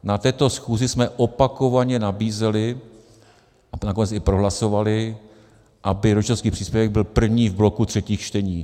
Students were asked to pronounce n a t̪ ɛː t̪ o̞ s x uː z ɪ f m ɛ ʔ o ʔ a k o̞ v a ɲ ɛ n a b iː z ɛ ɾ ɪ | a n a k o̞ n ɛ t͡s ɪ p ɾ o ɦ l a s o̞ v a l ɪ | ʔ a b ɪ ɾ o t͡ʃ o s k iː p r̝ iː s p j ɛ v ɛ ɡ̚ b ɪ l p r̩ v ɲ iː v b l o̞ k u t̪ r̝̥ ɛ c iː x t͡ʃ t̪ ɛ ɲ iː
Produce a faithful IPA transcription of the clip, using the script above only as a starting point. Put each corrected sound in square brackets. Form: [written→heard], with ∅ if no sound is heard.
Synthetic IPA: n a t̪ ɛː t̪ o̞ s x uː z ɪ [f→s] m ɛ ʔ o [ʔ→p] a k o̞ v a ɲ ɛ n a b iː z ɛ [ɾ→l] ɪ | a n a k o̞ n ɛ t͡s ɪ p ɾ o ɦ l a s o̞ v a l ɪ | ʔ a b ɪ ɾ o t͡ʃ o s k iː p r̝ iː s p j ɛ v ɛ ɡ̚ b ɪ l p r̩ v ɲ iː v b l o̞ k u t̪ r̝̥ ɛ c iː x t͡ʃ t̪ ɛ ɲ iː